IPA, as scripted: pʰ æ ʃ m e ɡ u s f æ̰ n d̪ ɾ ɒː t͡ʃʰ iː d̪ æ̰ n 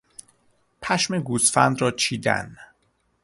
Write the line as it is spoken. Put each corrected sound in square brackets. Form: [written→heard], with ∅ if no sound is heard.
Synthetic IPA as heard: pʰ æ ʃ m e ɡ u s f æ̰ n d̪ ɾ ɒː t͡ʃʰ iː d̪ æ̰ n